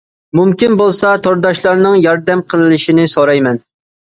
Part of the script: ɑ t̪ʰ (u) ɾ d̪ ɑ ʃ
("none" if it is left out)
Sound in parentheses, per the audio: o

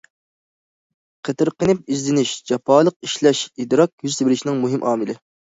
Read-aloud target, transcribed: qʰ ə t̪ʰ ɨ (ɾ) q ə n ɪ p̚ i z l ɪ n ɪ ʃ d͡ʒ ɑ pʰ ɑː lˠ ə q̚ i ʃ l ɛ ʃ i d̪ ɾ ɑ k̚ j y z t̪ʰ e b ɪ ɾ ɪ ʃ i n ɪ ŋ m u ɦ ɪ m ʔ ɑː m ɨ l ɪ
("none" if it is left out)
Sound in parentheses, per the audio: ɾ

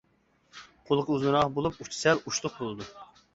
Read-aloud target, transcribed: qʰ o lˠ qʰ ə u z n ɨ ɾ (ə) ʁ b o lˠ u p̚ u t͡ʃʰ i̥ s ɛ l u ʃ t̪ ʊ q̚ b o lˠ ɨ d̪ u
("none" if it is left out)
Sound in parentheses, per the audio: ɑ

